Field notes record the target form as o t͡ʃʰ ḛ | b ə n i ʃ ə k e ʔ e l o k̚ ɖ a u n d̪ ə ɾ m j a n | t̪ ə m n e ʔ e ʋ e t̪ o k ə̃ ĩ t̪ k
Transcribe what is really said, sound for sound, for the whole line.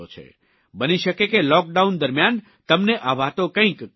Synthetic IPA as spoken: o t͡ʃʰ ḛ | b ə n i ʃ ə k e k e l ɔ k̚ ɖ a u n d̪ ə ɾ m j a n | t̪ ə m n e ʔ a ʋ a t̪ o k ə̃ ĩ k